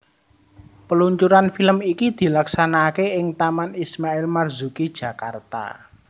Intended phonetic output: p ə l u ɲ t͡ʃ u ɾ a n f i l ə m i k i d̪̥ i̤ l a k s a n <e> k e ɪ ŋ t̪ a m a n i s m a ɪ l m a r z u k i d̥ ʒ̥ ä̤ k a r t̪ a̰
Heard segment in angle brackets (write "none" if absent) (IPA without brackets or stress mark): a